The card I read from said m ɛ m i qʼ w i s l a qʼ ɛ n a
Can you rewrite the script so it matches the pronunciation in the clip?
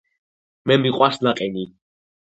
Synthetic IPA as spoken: m ɛ m i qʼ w a s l a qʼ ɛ n i